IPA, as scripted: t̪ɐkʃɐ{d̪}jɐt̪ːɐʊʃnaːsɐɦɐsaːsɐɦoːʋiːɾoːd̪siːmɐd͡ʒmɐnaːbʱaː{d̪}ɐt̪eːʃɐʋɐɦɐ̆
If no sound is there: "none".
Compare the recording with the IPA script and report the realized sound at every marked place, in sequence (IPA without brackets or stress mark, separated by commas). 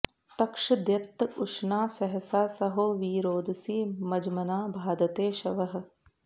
d̪, d̪